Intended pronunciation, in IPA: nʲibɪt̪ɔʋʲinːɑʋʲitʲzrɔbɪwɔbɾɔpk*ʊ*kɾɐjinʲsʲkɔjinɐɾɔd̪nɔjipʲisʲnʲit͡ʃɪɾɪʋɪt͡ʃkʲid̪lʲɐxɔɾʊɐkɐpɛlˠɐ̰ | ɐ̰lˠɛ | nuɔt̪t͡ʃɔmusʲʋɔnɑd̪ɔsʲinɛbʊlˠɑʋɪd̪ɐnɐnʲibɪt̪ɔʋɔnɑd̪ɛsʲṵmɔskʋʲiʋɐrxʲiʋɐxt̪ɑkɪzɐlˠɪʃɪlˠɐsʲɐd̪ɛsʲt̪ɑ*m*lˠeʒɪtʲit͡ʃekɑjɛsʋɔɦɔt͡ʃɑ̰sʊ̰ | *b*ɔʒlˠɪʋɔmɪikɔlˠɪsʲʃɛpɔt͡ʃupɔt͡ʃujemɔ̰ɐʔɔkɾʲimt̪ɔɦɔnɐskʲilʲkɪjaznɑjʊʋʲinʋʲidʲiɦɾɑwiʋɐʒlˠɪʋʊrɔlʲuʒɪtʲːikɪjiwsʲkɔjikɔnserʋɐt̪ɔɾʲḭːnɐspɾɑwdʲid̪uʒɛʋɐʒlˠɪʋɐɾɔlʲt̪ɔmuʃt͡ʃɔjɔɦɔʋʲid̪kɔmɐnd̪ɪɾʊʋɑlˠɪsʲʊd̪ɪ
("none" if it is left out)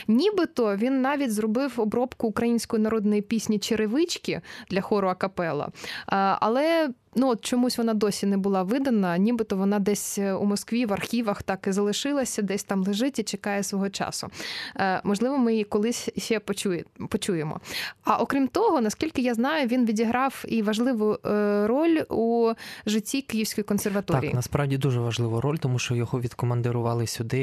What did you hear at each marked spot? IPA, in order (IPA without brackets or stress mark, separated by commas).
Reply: ʊː, m, m